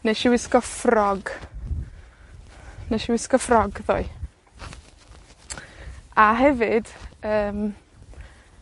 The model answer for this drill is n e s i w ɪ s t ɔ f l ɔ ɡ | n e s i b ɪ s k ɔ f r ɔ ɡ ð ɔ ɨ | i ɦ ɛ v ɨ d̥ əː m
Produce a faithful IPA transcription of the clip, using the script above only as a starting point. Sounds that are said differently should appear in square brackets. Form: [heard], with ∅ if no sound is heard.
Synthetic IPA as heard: n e [ʃ] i w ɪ s [k] ɔ f [r] ɔ ɡ | n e [ʃ] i [w] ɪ s k ɔ f r ɔ ɡ ð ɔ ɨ | [a] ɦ ɛ v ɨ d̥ əː m